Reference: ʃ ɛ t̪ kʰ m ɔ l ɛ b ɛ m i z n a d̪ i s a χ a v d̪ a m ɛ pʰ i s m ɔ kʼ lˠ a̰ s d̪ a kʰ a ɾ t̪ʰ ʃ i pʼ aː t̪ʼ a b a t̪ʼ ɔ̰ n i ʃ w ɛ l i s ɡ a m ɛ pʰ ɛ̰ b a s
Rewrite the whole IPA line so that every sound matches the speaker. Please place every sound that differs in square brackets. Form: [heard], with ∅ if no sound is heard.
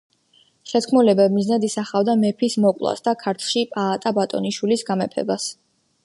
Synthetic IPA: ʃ ɛ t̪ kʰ m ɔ l ɛ b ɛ m i z n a d̪ i s a χ a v d̪ a m ɛ pʰ i s m ɔ kʼ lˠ a̰ s d̪ a kʰ a ɾ t̪ʰ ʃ i pʼ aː t̪ʼ a b a t̪ʼ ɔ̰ n i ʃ w [i] l i s ɡ a m ɛ pʰ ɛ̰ b a s

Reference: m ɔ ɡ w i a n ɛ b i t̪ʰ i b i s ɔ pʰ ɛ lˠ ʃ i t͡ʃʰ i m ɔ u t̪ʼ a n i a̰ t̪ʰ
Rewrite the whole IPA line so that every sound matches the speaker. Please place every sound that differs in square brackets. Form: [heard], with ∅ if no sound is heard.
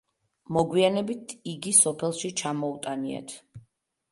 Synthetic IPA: m ɔ ɡ w i a n ɛ b i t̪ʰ i [ɡ] i s ɔ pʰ ɛ lˠ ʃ i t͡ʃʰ [a] m ɔ u t̪ʼ a n i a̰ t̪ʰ

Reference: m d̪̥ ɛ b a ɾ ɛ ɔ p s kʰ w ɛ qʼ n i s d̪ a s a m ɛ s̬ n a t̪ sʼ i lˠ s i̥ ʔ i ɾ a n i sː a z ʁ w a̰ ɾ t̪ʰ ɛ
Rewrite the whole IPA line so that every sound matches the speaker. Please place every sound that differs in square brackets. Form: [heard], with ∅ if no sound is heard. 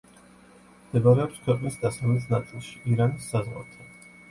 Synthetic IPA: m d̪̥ ɛ b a ɾ ɛ ɔ p s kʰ w ɛ qʼ n i s d̪ a s a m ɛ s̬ n a t̪ sʼ i lˠ [ʃ] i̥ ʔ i ɾ a n i sː a z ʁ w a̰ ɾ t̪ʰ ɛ

